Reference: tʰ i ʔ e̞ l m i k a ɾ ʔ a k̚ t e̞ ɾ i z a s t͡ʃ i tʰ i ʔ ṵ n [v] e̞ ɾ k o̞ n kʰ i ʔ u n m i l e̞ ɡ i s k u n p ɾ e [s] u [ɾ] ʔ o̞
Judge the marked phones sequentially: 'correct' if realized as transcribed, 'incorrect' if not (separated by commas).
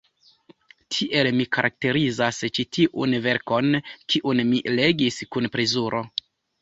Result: correct, incorrect, correct